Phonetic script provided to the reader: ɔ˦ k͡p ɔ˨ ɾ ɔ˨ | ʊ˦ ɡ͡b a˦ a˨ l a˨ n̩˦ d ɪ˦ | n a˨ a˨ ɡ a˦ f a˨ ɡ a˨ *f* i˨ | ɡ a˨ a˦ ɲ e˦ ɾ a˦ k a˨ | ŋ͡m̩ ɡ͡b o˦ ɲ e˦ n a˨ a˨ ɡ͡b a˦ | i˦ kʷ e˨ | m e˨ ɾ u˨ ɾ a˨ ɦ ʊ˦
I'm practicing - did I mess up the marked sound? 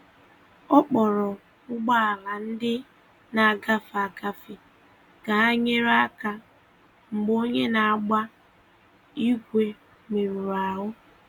no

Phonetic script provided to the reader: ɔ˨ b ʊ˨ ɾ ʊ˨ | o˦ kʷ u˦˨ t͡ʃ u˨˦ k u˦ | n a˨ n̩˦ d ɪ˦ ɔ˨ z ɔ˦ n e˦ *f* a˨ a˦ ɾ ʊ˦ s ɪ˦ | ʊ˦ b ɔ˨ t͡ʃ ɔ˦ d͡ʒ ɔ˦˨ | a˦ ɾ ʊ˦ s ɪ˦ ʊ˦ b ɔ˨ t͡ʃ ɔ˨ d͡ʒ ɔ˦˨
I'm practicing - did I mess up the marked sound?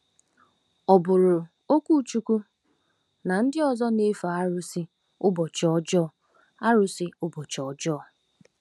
no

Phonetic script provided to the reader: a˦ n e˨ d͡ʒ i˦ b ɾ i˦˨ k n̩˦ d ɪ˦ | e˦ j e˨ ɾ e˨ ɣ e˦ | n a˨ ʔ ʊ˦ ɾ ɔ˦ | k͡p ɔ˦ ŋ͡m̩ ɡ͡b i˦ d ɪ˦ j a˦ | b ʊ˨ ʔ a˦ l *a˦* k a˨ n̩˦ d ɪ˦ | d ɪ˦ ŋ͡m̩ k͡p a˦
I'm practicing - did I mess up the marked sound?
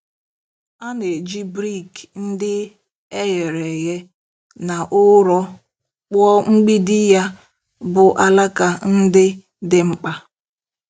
no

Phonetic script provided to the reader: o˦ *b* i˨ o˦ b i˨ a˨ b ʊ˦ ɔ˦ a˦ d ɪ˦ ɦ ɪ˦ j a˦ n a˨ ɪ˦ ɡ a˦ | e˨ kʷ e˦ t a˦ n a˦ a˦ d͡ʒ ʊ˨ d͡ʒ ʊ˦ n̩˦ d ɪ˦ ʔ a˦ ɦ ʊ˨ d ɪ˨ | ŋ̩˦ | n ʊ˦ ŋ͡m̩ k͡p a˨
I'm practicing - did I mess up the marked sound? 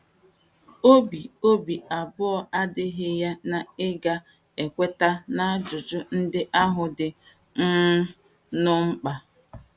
no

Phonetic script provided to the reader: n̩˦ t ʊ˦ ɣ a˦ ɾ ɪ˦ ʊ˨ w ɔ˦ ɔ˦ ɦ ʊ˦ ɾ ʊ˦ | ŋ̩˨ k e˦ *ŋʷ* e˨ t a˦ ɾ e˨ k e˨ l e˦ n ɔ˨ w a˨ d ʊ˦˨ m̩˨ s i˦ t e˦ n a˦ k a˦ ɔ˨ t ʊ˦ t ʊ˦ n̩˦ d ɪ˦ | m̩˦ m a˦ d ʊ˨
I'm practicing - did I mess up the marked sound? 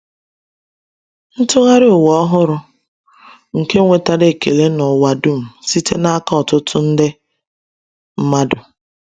no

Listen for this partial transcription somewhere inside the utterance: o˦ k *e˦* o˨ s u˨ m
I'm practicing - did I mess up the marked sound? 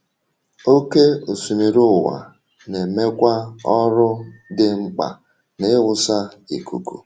no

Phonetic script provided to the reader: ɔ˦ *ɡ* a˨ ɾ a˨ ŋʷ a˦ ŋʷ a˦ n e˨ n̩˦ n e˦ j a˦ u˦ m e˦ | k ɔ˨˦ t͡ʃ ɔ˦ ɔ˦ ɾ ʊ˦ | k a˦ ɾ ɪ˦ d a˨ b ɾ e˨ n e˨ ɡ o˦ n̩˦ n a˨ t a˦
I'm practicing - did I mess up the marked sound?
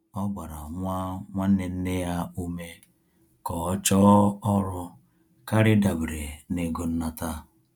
yes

